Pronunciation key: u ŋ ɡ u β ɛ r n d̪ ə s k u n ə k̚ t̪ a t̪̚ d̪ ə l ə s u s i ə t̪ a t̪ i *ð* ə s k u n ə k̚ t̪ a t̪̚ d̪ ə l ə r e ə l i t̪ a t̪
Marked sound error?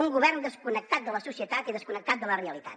no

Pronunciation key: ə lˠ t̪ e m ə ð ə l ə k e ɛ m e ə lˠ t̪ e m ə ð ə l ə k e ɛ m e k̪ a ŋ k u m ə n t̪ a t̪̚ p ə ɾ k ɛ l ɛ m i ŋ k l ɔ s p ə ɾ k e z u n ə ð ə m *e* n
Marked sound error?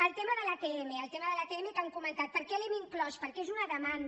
yes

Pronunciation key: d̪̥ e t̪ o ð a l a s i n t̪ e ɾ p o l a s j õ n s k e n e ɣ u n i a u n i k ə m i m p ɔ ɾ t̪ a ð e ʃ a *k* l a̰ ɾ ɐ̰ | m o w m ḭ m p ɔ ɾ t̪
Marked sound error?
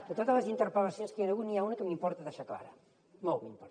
no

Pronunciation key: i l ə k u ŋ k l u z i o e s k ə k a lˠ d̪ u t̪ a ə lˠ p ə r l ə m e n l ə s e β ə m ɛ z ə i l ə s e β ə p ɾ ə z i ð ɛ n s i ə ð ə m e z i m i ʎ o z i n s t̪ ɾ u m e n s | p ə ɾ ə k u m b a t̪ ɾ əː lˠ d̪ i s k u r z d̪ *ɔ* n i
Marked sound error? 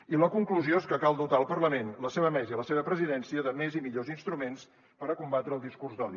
no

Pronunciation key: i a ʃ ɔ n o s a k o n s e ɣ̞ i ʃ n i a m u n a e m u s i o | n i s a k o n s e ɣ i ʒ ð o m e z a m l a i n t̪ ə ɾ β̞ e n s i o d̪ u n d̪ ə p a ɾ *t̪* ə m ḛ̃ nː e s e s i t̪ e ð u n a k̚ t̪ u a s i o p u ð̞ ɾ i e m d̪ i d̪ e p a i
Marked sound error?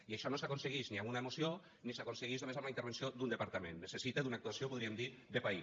no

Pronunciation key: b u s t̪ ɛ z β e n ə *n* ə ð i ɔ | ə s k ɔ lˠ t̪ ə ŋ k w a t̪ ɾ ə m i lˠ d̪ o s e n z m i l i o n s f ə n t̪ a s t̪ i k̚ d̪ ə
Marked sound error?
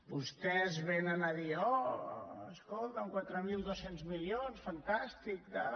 no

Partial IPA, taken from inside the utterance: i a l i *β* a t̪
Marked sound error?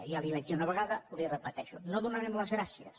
no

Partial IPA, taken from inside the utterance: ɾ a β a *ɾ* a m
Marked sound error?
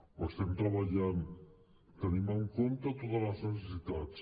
yes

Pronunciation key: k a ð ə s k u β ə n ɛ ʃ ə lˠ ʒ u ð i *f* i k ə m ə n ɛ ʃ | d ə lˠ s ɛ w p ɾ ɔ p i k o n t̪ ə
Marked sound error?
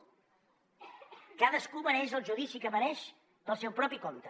yes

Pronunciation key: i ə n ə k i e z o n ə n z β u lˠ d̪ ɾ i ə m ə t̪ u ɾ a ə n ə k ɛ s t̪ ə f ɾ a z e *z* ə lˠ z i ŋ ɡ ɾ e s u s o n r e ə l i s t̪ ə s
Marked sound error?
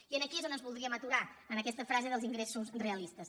yes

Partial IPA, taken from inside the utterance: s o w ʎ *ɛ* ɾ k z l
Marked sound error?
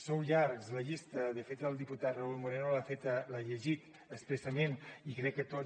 yes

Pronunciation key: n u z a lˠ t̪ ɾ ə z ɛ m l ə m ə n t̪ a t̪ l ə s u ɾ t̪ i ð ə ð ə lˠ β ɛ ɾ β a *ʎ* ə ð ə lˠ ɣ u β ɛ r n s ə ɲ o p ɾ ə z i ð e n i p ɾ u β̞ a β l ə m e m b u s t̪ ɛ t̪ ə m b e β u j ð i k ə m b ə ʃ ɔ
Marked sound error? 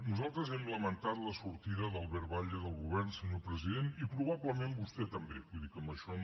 no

